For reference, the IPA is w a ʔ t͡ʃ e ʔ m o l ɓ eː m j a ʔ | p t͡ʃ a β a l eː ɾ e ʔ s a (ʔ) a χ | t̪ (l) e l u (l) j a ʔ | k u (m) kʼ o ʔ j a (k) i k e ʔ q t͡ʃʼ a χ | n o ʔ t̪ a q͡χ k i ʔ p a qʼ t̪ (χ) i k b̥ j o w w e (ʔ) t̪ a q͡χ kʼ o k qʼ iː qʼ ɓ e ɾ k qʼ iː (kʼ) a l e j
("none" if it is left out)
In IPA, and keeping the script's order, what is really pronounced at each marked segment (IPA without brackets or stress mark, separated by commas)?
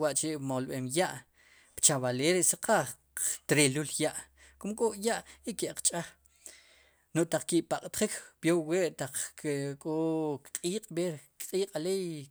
q, ɾ, l, m, ʔ, χ, ʔ, qʼ